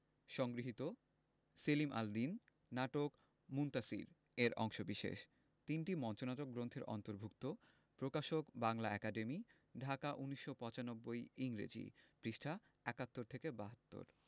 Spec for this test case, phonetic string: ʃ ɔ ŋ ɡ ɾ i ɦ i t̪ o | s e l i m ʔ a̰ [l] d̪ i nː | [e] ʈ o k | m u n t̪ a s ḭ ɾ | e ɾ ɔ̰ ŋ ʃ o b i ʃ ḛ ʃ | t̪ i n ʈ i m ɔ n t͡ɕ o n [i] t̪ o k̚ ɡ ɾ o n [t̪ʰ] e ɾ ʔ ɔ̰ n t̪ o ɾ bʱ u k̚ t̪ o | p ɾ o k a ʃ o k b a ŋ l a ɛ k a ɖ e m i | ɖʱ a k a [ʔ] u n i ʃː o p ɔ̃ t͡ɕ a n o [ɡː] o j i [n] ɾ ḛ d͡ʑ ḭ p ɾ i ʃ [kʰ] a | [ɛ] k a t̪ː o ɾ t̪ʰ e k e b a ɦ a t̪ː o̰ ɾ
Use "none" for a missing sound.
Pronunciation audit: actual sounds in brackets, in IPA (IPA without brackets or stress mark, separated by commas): l, a, a, t̪ʰ, ʔ, bː, ŋ, ʈʰ, ɛ